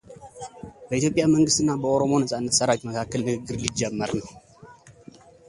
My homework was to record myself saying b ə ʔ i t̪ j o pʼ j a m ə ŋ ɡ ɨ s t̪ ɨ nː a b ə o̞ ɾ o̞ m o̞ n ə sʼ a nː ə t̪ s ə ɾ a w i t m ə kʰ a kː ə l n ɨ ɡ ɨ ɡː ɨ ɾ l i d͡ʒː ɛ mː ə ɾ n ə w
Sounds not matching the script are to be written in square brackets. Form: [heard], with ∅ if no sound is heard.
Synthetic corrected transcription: b ə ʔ i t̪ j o pʼ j a m ə ŋ ɡ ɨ s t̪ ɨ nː a b ə o̞ ɾ o̞ m o̞ n ə sʼ a nː ə t̪ s ə ɾ a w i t m ə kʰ a kː ə l n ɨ ɡ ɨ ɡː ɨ ɾ l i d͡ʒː ɛ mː ə ɾ n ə w